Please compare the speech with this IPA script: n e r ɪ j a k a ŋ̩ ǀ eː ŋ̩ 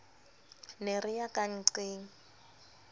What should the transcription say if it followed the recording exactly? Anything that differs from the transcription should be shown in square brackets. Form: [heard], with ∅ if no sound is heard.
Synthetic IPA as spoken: n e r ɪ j a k a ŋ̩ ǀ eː ŋ̩